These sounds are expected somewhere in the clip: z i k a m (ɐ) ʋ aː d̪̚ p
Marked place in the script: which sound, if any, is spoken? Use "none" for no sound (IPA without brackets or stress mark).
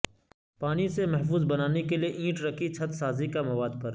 ɐ